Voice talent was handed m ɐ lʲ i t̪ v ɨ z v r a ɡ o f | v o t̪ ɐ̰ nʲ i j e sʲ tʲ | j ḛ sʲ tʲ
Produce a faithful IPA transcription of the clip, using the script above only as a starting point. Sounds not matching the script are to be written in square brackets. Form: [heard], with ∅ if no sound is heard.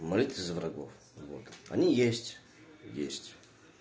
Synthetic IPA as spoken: m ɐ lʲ i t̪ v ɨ z v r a ɡ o f | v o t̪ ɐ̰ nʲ i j e sʲ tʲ | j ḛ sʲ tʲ